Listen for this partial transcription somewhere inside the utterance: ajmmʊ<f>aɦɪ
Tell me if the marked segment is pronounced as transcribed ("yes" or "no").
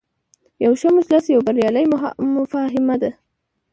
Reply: yes